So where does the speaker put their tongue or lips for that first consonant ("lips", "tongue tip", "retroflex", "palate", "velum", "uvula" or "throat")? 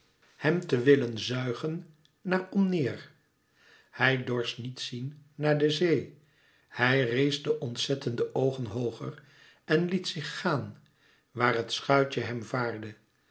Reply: throat